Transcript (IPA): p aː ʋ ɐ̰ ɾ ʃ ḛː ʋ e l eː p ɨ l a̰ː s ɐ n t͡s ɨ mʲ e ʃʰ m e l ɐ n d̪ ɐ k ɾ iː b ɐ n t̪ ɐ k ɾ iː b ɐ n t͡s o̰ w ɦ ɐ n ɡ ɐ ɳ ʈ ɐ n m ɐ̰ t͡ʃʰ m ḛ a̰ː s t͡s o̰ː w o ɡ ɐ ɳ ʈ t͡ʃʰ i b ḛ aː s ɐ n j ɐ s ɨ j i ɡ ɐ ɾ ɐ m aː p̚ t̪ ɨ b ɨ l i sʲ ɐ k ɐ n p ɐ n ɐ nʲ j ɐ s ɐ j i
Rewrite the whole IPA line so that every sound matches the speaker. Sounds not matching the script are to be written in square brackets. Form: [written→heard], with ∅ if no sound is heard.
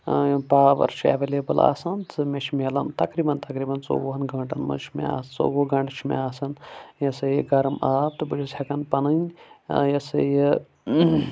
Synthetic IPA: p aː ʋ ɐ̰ ɾ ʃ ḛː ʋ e l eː [p→b] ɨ l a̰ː s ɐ n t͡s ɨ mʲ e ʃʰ m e l ɐ n [d̪→t̪] ɐ k ɾ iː b ɐ n t̪ ɐ k ɾ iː b ɐ n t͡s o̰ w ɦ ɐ n ɡ ɐ ɳ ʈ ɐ n m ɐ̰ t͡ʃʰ m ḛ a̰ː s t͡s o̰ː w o ɡ ɐ ɳ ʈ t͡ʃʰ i [b→m] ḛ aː s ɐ n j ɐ s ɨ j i ɡ ɐ ɾ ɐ m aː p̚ t̪ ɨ b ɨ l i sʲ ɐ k ɐ n p ɐ n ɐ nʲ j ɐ s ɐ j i

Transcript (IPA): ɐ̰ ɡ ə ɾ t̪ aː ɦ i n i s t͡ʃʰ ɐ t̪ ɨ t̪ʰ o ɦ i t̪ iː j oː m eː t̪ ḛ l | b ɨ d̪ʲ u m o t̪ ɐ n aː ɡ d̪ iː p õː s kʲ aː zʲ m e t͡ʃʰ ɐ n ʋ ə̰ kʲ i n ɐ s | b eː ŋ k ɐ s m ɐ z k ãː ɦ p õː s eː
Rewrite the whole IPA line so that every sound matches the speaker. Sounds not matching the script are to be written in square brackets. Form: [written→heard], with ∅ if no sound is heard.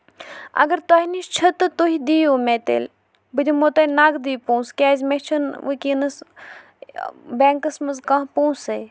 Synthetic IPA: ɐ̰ ɡ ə ɾ t̪ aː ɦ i n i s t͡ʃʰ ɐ t̪ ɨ [t̪ʰ→t̪] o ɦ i [t̪→d̪] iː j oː m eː t̪ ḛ l | b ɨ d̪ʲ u m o t̪ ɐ n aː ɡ d̪ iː p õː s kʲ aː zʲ m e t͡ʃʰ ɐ n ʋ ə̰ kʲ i n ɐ s | b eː ŋ k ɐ s m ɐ z k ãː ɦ p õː s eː

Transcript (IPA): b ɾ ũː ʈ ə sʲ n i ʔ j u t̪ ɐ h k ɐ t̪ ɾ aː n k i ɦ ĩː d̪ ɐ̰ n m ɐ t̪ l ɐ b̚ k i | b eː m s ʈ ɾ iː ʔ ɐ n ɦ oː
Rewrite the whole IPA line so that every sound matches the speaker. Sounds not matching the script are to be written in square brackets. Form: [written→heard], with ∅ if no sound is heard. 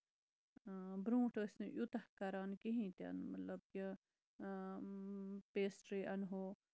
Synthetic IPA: b ɾ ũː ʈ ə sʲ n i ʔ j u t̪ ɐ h k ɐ [t̪→∅] ɾ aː n k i ɦ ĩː [d̪→t̪] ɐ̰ n m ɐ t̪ l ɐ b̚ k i | [b→p] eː [m→∅] s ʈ ɾ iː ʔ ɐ n ɦ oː

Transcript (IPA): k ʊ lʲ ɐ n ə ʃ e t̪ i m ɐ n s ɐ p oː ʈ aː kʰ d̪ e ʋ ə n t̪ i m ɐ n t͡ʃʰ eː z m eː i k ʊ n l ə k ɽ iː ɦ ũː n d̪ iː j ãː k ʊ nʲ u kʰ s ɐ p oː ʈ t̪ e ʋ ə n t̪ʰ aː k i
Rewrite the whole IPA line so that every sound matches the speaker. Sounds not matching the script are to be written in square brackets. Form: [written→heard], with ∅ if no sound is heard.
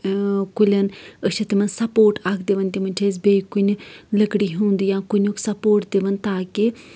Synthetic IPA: k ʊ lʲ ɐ n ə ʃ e t̪ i m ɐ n s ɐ p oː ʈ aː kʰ d̪ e ʋ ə n t̪ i m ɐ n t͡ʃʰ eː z [m→b] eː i k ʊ n l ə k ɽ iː ɦ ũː n d̪ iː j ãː k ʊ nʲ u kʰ s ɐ p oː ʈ [t̪→d̪] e ʋ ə n [t̪ʰ→t̪] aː k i

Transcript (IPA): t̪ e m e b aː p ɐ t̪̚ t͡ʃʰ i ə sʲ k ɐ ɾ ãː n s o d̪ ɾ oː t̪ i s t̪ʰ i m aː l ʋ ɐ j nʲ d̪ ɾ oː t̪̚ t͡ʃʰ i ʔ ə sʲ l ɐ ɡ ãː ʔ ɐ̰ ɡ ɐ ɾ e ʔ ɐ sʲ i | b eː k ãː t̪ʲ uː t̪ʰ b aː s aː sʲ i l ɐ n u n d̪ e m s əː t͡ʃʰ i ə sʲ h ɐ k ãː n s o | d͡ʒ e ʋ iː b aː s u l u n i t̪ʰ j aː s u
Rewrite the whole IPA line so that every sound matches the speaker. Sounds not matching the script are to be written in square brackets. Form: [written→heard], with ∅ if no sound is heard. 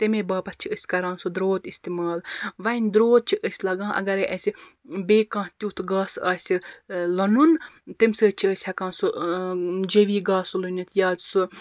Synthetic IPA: t̪ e m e b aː p ɐ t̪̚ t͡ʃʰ i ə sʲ k ɐ ɾ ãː n s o d̪ ɾ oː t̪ i s [t̪ʰ→t̪] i m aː l ʋ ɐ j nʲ d̪ ɾ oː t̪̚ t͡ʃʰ i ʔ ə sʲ l ɐ ɡ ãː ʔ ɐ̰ ɡ ɐ ɾ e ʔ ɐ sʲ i | b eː k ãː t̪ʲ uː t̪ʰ [b→ɡ] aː s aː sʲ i l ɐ n u n [d̪→t̪] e m s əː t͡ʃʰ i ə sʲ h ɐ k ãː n s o | d͡ʒ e ʋ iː [b→ɡ] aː s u l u n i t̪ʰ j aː s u

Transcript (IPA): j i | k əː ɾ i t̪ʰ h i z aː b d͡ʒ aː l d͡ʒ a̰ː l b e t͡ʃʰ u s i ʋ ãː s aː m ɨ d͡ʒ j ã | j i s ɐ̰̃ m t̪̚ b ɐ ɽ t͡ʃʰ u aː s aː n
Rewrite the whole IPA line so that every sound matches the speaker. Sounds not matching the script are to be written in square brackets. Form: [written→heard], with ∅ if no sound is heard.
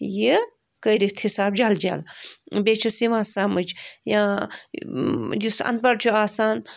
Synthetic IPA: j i | k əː ɾ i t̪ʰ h i [z→s] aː b d͡ʒ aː l d͡ʒ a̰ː l b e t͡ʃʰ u s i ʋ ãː s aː m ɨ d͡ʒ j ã | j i s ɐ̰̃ [m→n] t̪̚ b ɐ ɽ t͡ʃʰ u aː s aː n

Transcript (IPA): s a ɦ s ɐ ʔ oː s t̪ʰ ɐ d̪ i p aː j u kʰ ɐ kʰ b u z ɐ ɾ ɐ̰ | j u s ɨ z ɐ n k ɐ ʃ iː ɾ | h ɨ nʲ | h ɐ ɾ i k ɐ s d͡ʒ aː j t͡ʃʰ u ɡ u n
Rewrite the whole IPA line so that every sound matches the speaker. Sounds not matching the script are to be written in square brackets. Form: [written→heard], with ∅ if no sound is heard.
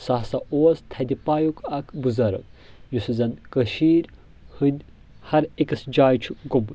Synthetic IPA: s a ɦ s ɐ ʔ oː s t̪ʰ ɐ d̪ i p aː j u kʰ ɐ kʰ b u z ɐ ɾ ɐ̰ | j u s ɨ z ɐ n k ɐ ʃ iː ɾ | h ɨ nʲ | h ɐ ɾ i k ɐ s d͡ʒ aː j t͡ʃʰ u ɡ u [n→m]

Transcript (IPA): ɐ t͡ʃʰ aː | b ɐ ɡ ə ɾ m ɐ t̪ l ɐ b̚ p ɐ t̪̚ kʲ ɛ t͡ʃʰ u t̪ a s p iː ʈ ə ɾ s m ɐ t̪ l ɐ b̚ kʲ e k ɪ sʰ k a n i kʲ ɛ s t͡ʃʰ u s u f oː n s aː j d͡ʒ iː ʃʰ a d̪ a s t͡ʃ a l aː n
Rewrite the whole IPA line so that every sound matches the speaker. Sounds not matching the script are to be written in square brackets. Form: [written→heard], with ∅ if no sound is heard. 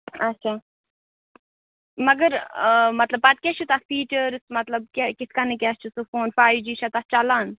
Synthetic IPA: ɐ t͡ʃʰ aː | [b→m] ɐ ɡ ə ɾ m ɐ t̪ l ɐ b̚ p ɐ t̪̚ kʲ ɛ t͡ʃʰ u t̪ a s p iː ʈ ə ɾ s m ɐ t̪ l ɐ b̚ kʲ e k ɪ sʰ k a n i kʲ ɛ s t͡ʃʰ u s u f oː n [s→f] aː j d͡ʒ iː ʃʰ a [d̪→t̪] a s t͡ʃ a l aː n

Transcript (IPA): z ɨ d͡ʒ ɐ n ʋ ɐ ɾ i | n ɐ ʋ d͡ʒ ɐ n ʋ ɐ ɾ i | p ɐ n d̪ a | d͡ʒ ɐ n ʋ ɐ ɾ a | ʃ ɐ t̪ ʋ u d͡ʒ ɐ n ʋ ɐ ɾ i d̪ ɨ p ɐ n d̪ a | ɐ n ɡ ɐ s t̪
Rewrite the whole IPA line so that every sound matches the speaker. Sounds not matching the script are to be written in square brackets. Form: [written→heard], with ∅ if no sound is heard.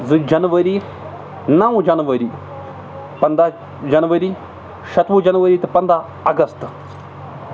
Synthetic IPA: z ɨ d͡ʒ ɐ n ʋ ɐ ɾ i | n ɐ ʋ d͡ʒ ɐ n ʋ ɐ ɾ i | p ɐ n d̪ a | d͡ʒ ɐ n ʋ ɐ ɾ [a→i] | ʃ ɐ t̪ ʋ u d͡ʒ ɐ n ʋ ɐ ɾ i [d̪→t̪] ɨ p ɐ n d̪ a | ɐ [n→∅] ɡ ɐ s t̪

